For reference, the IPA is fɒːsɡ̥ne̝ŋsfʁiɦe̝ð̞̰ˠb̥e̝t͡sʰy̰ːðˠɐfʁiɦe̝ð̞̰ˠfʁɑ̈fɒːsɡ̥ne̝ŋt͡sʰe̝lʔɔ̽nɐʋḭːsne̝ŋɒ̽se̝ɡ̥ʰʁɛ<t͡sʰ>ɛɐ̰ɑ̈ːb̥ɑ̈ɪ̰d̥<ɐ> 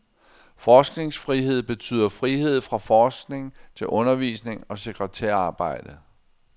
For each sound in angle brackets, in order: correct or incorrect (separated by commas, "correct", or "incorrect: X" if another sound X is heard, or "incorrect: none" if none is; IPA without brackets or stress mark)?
correct, incorrect: ə